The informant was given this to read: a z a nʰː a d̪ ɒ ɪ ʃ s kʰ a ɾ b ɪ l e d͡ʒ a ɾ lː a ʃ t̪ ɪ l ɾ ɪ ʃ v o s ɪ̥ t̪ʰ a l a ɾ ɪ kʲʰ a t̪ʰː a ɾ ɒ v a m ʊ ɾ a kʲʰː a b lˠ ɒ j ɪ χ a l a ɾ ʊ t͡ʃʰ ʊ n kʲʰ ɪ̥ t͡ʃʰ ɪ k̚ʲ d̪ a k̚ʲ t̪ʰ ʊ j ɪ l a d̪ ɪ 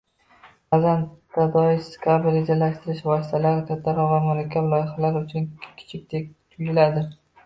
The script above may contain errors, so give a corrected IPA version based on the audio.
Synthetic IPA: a z a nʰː a d̪ ɒ ɪ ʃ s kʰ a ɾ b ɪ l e d͡ʒ a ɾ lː a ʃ t̪ ɪ ɾ ɪ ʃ v ɒ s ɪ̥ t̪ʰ a l a ɾ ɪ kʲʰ a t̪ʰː a ɾ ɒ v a m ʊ ɾ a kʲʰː a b lˠ ɒ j ɪ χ a l a ɾ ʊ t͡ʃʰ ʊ n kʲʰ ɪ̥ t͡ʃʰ ɪ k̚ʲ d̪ e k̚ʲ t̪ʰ ʊ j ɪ l a d̪ ɪ